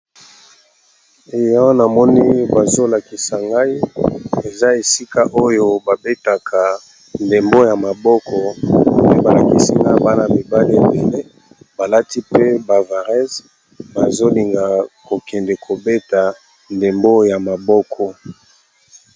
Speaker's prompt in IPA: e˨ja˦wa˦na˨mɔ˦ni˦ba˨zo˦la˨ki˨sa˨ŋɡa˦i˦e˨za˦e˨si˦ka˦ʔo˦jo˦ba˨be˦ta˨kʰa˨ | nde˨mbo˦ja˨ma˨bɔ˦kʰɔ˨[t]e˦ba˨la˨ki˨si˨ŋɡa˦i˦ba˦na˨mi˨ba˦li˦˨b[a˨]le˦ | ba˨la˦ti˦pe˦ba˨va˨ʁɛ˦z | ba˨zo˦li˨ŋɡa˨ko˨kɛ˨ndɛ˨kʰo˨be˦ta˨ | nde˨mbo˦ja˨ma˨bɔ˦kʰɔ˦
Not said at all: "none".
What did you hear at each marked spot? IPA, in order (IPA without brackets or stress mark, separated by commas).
p, e˨